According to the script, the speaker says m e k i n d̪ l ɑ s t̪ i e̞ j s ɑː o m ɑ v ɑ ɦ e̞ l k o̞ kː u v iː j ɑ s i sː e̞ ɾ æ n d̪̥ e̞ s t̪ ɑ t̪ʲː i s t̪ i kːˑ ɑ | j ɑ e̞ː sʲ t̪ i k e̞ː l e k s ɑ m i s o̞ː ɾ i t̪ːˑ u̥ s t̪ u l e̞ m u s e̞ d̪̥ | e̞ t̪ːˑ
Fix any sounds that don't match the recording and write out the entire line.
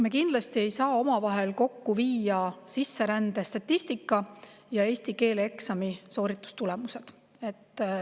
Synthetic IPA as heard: m e k i n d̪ l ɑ s t̪ i e̞ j s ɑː o m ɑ v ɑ ɦ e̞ l k o̞ kː u v iː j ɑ s i sː e̞ ɾ æ n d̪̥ e̞ s t̪ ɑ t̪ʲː i s t̪ i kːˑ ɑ | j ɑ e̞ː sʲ t̪ i k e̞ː l e k s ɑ m i s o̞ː ɾ i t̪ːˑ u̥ s t̪ u l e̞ m u s e̞ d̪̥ | e̞ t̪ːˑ